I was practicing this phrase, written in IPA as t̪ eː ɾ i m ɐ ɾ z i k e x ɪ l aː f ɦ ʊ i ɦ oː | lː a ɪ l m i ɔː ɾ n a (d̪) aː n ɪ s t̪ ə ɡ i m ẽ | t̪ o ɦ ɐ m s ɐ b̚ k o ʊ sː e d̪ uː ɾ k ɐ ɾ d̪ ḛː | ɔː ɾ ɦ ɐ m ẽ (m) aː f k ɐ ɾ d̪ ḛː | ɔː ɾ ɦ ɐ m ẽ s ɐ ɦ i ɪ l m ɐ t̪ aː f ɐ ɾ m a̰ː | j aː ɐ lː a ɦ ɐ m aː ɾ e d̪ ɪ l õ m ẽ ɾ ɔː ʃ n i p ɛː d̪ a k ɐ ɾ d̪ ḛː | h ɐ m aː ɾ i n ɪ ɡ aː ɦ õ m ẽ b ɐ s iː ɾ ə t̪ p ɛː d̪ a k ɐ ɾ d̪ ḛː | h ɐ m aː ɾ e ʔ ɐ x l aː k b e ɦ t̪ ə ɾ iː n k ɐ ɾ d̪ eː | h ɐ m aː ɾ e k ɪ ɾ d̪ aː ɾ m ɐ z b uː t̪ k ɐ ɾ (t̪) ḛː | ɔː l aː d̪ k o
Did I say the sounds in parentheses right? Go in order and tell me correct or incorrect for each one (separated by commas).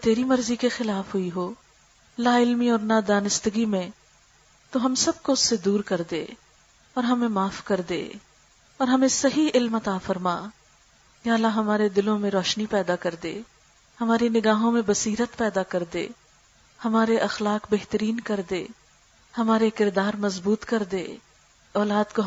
correct, correct, incorrect